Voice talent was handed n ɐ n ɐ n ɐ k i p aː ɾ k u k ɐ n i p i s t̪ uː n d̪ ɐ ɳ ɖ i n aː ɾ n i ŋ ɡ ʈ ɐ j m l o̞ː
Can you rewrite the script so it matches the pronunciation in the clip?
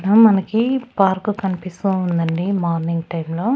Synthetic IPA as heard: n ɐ m ɐ n ɐ k i p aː ɾ k u k ɐ n i p i s t̪ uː n d̪ ɐ ɳ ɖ i m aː ɾ n i ŋ ɡ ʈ ɐ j m l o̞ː